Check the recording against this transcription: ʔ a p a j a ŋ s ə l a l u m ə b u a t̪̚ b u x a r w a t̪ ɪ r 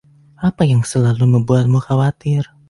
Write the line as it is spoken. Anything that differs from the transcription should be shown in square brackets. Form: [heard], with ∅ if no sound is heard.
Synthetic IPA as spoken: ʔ a p a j a ŋ s ə l a l u m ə b u a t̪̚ [m] u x a [∅] w a t̪ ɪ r